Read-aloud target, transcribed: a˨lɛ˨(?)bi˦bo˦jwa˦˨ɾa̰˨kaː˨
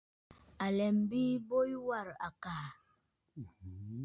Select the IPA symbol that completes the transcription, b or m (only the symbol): m